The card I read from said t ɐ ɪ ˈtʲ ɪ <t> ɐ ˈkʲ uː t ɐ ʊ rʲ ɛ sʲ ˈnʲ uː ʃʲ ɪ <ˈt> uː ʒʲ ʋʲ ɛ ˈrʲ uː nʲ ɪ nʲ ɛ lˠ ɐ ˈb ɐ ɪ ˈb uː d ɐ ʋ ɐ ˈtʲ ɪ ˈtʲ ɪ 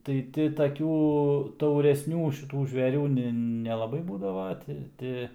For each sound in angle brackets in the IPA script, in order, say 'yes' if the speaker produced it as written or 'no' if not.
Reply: yes, yes

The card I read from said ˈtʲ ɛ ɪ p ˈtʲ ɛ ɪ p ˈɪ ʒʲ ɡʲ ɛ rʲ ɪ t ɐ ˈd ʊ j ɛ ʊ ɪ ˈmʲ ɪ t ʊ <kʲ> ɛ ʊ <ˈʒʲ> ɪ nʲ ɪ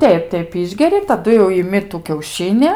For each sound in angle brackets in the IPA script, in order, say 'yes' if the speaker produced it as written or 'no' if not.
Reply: yes, no

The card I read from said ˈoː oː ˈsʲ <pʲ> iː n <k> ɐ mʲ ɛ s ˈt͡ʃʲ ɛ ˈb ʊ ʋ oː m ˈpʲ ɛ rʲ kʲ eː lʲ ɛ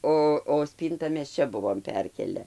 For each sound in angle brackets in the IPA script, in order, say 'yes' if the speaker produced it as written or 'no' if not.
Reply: yes, no

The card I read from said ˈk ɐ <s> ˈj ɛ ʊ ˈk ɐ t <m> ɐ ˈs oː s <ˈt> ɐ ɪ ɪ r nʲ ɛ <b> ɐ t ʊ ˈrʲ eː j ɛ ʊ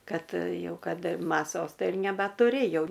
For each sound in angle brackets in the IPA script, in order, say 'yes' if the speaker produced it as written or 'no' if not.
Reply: no, yes, yes, yes

